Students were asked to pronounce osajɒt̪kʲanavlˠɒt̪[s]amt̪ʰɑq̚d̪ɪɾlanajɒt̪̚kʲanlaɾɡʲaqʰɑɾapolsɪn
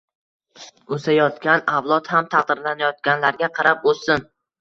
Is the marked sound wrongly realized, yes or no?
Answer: yes